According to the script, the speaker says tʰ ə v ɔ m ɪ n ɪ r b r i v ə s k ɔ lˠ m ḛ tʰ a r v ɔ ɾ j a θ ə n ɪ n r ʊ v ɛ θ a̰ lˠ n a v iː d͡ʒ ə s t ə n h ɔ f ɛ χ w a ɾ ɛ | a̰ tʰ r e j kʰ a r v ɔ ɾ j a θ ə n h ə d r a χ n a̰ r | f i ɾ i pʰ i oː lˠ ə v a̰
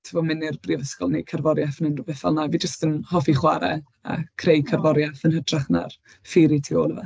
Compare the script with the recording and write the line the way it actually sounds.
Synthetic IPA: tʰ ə v ɔ m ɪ n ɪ r b r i v ə s k ɔ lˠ n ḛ kʰ a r v ɔ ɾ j a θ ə n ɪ n r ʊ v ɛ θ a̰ lˠ n a v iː d͡ʒ ə s t ə n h ɔ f i χ w a ɾ ɛ | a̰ kʰ r e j kʰ a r v ɔ ɾ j a θ ə n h ə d r a χ n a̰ r | f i ɾ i tʰ i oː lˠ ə v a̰